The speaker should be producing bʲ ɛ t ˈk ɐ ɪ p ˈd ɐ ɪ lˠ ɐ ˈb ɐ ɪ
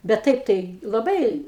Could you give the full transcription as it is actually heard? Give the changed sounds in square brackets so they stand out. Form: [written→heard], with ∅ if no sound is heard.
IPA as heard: bʲ ɛ t [ˈk→ˈt] ɐ ɪ p [ˈd→ˈt] ɐ ɪ lˠ ɐ ˈb ɐ ɪ